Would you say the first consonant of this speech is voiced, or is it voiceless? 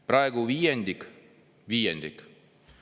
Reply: voiceless